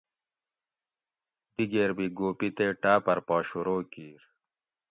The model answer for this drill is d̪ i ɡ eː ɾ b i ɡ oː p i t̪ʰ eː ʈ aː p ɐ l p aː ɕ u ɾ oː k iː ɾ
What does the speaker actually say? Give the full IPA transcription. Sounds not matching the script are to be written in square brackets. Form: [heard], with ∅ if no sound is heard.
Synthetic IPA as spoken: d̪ i ɡ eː ɾ b i ɡ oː p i [t̪] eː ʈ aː p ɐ [ɾ] p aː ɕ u ɾ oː k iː ɾ